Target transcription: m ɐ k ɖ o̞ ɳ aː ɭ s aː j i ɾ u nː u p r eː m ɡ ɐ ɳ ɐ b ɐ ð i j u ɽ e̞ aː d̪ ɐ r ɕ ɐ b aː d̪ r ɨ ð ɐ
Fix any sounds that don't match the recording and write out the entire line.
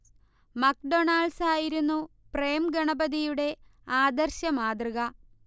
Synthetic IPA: m ɐ k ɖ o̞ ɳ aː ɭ s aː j i ɾ u nː u p r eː m ɡ ɐ ɳ ɐ b ɐ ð i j u ɽ e̞ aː d̪ ɐ r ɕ ɐ m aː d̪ r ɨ ɣ ɐ